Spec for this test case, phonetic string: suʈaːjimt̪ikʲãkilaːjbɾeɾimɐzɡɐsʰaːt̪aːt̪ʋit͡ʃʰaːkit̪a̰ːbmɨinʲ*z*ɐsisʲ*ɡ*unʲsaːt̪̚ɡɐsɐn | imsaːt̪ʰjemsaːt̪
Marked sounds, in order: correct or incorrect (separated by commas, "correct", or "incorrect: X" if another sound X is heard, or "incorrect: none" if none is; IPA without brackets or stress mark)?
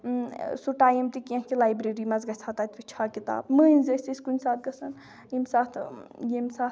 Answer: correct, incorrect: k